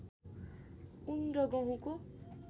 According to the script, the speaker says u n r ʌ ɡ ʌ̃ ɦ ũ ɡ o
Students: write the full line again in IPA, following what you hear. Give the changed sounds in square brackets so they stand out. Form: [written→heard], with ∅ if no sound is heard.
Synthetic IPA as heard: u n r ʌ ɡ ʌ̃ ɦ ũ [ɡ→k] o